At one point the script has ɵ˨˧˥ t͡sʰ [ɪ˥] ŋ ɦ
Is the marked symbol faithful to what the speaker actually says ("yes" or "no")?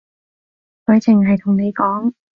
no